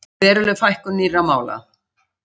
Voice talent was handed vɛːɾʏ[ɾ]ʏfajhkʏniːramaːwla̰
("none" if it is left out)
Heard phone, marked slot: l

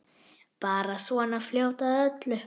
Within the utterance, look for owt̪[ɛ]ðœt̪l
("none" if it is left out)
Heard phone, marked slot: a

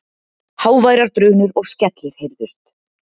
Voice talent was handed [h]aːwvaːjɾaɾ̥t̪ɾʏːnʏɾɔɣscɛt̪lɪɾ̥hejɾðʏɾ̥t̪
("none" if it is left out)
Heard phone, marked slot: h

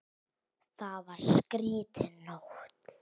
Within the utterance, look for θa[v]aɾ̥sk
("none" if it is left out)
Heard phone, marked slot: v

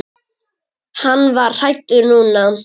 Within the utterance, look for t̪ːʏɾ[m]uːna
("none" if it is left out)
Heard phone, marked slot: n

